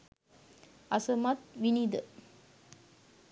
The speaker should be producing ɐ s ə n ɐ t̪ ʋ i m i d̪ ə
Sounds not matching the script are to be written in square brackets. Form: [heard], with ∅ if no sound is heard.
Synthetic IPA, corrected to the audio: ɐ s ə [m] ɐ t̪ ʋ i [n] i d̪ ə